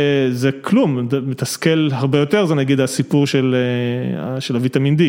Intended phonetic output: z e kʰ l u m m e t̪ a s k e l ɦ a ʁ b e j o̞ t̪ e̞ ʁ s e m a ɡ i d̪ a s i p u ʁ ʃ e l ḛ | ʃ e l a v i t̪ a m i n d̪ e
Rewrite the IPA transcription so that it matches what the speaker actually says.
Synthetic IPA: z e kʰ l u m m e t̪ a s k e l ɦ a ʁ b e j o̞ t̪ e̞ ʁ z e n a ɡ i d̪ a s i p u ʁ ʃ e l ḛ | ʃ e l a v i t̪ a m i n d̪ i